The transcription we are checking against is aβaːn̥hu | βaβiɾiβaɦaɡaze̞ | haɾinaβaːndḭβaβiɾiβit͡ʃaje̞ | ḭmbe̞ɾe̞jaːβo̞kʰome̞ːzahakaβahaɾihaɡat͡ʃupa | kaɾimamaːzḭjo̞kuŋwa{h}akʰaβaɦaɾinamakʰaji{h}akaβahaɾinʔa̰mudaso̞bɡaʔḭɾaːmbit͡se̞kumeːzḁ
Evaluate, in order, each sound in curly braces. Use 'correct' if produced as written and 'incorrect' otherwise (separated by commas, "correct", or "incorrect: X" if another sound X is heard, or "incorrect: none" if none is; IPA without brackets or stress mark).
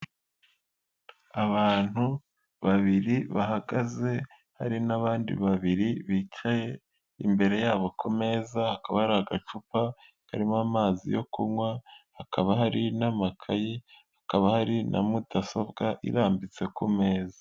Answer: correct, correct